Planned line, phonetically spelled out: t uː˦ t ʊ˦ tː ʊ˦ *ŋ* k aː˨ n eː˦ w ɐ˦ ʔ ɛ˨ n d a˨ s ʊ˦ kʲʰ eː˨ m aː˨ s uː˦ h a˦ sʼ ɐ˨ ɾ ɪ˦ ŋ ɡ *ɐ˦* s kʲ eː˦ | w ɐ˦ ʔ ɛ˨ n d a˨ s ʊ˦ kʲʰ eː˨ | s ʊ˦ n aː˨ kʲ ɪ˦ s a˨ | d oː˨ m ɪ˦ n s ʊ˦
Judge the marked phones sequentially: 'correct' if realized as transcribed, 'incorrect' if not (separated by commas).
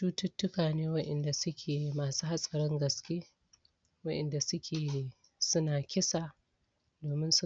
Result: incorrect, incorrect